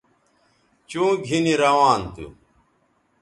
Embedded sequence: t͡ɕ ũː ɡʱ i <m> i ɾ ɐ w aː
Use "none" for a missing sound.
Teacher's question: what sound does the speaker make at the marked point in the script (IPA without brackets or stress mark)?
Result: n